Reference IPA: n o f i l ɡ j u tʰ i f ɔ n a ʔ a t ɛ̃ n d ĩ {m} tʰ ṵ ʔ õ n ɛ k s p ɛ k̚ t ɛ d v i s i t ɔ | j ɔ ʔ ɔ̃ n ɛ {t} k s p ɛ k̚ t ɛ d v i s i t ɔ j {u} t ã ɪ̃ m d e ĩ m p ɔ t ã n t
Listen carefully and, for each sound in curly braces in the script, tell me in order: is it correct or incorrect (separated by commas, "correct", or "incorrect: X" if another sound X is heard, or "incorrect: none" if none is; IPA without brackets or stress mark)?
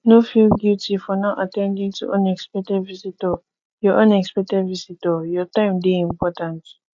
incorrect: ŋ, incorrect: none, incorrect: ɔ